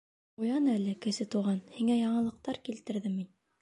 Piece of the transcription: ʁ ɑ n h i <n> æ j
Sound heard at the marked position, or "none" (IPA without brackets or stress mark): ŋ